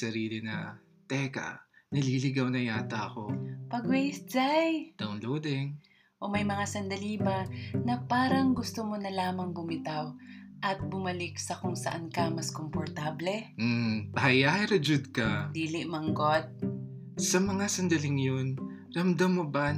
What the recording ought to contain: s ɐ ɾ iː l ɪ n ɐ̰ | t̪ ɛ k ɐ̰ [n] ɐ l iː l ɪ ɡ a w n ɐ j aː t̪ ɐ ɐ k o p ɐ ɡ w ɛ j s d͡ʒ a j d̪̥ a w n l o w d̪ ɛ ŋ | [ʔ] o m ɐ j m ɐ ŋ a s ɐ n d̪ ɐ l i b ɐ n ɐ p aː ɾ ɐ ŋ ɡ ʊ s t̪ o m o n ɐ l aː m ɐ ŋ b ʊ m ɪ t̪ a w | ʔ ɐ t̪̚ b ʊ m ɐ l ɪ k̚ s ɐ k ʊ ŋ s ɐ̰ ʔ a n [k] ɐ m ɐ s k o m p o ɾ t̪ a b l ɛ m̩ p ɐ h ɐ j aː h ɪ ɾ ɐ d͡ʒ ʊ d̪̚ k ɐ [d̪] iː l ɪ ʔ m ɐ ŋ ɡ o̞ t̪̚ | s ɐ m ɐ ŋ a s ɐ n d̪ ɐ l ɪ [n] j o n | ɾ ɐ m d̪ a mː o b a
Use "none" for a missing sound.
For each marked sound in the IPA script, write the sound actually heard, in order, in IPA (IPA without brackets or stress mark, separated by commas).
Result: n, ʔ, k, d̪, ŋ